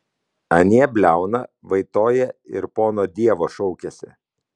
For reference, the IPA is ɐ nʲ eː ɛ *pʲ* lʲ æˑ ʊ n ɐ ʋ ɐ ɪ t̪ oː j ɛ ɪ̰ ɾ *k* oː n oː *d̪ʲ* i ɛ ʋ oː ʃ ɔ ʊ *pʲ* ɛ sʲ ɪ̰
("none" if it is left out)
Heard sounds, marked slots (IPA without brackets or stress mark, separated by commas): bʲ, p, d̪ʲ, kʲ